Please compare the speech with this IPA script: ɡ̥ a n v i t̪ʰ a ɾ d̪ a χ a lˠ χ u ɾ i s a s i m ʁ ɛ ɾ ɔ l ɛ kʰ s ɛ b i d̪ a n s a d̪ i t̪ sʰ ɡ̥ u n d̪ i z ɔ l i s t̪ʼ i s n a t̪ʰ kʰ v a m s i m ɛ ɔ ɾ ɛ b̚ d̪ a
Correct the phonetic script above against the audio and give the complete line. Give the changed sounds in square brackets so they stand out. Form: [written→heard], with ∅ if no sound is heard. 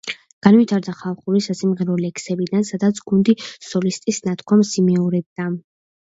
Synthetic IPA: ɡ̥ a n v i t̪ʰ a ɾ d̪ a χ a lˠ χ u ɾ i s a s i m ʁ ɛ ɾ ɔ l ɛ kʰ s ɛ b i d̪ a n s a d̪ [i→a] t̪ sʰ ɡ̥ u n d̪ i [z→s] ɔ l i s t̪ʼ i s n a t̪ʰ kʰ [v→w] a m s i m ɛ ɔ ɾ ɛ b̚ d̪ a